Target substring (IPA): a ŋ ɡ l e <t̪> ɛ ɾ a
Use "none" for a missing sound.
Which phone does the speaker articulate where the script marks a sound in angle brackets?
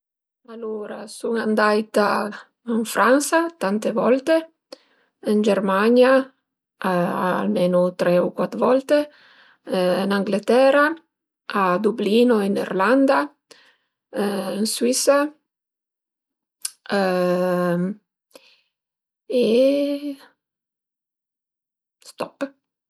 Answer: t̪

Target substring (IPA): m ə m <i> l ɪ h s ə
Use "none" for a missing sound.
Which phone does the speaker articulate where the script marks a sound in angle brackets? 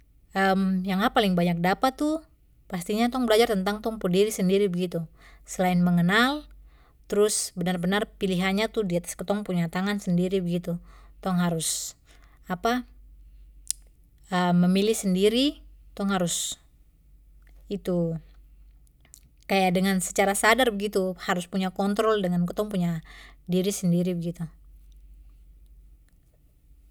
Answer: i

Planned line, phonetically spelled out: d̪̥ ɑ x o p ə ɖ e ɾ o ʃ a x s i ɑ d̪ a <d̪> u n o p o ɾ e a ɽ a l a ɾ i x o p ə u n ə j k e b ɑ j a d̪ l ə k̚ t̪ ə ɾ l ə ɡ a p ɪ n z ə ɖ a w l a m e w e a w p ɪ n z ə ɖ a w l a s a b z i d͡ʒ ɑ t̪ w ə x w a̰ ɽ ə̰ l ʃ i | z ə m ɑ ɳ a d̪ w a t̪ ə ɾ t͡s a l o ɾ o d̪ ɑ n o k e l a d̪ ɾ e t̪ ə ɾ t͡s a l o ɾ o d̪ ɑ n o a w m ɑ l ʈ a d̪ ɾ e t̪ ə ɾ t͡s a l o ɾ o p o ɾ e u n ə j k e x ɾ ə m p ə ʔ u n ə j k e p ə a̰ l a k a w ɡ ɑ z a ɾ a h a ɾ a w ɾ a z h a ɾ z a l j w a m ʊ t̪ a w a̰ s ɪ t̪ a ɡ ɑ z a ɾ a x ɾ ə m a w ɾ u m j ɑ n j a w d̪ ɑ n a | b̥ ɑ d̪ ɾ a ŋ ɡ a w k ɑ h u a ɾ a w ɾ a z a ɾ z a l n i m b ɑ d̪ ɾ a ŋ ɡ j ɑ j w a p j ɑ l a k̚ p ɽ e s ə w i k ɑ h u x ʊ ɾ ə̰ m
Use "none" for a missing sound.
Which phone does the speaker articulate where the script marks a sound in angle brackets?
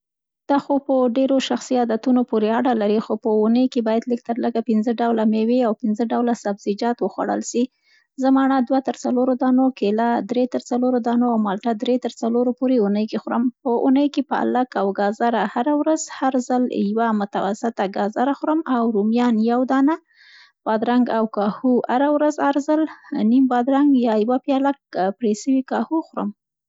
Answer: t̪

